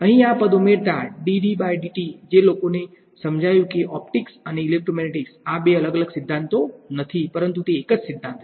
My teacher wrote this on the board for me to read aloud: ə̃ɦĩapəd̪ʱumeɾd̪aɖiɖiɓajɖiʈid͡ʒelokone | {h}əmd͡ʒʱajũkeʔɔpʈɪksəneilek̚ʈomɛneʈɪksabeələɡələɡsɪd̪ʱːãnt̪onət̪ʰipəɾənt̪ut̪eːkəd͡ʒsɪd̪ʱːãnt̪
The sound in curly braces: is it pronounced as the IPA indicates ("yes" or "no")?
no